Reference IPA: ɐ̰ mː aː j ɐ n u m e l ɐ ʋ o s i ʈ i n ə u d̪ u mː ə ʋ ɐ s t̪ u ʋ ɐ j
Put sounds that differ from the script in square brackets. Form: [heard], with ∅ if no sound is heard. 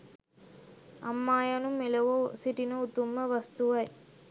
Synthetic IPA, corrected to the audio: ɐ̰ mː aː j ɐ n u m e l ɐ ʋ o s i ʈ i n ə u [t̪] u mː ə ʋ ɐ s t̪ u ʋ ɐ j